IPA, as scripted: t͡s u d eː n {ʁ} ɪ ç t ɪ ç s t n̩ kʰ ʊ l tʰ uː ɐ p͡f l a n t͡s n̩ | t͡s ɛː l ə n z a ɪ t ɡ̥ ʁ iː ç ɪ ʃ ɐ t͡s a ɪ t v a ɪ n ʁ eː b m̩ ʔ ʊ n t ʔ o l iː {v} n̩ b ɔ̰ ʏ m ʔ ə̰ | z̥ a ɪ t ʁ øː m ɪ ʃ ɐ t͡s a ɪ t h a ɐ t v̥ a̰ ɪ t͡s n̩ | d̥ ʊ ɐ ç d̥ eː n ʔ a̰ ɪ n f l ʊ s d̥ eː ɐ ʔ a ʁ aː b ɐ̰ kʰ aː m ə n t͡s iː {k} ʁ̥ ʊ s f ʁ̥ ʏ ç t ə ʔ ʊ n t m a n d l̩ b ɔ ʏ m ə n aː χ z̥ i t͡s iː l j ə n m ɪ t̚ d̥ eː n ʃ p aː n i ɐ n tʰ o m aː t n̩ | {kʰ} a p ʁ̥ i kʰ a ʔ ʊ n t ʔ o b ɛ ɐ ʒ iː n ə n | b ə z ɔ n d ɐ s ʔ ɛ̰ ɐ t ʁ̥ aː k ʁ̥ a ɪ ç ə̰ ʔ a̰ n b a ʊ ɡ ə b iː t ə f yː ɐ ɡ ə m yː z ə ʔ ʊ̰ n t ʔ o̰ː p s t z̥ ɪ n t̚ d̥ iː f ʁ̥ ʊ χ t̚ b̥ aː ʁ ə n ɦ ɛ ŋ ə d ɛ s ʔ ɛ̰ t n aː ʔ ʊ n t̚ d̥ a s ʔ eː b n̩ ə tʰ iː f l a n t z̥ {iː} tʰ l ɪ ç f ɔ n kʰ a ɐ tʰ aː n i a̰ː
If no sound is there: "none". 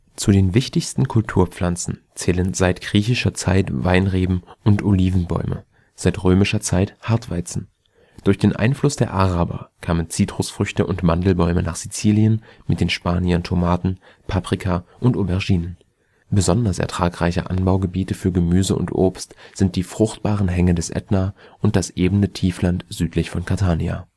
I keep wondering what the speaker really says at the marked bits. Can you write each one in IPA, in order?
v, v, t, pʰ, yː

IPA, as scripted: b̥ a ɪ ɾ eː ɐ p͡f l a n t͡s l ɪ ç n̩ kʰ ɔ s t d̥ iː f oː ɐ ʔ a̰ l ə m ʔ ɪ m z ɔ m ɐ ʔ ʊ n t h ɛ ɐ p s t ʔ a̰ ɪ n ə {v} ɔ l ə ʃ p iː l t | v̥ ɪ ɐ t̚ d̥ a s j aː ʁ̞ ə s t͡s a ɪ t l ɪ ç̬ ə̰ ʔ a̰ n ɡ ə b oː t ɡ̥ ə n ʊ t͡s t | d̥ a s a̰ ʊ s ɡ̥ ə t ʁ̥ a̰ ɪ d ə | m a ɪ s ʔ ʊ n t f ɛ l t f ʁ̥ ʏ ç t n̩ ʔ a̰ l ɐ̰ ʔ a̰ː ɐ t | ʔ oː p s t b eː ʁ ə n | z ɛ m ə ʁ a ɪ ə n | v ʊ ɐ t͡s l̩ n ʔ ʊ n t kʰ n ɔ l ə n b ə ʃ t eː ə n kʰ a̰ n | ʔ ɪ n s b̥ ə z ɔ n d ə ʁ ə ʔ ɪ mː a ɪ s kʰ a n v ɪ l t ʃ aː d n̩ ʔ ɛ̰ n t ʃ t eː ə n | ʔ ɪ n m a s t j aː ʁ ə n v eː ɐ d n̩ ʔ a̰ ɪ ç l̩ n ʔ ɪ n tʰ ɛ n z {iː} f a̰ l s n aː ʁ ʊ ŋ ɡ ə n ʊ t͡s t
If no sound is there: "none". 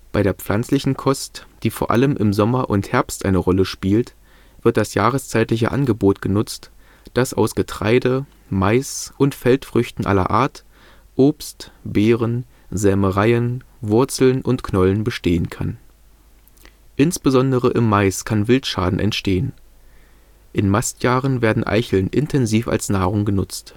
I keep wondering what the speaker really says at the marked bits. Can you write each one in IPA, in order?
ʁ, iː

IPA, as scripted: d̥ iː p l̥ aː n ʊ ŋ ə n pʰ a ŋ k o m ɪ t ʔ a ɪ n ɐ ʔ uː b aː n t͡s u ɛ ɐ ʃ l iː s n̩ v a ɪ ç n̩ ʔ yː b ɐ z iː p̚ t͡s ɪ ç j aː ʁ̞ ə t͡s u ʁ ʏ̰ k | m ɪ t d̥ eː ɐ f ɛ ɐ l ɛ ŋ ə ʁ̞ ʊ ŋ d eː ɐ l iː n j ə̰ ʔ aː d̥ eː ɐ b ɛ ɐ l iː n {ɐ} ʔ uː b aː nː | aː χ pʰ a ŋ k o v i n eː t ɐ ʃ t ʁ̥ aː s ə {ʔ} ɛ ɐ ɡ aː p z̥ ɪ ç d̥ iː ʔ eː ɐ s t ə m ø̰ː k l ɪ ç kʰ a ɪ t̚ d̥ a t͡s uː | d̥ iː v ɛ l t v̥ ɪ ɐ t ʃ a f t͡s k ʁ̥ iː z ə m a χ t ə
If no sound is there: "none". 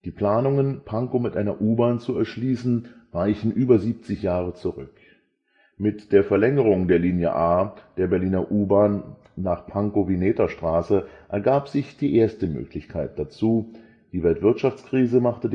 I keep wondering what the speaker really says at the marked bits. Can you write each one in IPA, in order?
ɐ, ʔ

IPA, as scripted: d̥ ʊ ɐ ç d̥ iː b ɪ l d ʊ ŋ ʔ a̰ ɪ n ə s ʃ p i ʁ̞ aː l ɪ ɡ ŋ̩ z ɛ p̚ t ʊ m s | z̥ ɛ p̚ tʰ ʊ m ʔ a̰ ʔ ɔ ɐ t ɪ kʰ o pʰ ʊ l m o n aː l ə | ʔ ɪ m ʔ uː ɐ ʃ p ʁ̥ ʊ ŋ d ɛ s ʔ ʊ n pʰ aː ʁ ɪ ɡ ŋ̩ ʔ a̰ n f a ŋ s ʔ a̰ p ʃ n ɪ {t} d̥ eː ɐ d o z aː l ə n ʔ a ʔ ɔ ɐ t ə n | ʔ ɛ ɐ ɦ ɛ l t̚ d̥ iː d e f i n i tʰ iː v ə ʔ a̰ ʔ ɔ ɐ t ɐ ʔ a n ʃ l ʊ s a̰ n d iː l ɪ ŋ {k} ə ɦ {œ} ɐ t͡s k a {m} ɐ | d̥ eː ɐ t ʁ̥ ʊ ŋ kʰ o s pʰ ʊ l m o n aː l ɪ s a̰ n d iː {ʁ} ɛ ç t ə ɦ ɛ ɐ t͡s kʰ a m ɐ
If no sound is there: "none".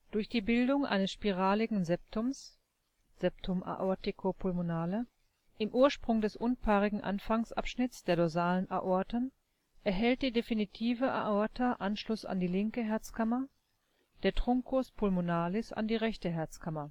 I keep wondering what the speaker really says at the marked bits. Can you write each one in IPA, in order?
t͡s, k, ɛ, m, ʁ

